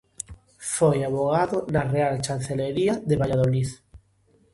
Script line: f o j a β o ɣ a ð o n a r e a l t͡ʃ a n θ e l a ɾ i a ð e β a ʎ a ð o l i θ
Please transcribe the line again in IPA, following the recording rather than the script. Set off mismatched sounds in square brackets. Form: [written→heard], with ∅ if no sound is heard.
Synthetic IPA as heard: f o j a β o ɣ a ð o n a r e a l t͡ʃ a n θ e l [a→e] ɾ i a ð e β a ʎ a ð o l i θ